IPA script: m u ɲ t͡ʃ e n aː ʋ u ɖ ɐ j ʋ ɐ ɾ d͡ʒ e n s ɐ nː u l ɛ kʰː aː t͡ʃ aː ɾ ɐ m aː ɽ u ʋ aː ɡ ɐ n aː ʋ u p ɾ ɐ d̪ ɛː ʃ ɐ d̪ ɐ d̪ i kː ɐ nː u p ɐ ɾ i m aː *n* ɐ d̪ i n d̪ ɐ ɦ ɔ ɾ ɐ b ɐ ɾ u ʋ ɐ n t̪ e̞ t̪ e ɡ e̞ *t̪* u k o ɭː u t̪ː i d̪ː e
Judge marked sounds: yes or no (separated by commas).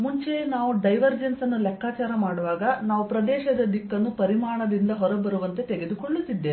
no, no